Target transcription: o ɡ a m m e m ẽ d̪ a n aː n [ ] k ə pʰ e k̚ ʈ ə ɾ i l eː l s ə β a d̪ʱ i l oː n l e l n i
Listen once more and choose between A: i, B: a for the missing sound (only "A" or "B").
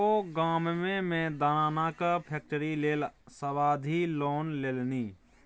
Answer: B